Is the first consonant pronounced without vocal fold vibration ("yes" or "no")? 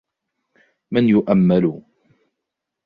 no